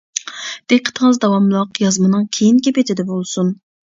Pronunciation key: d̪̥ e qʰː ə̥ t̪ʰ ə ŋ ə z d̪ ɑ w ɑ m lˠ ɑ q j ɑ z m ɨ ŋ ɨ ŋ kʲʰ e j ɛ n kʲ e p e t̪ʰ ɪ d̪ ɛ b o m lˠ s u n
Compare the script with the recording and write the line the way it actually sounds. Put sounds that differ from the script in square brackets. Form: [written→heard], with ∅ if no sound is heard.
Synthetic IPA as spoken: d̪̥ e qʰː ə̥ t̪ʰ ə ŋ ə z d̪ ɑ w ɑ m lˠ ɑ q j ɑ z m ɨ [ŋ→n] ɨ ŋ kʲʰ e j [ɛ→i] n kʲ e p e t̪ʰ ɪ d̪ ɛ b o [m→∅] lˠ s u n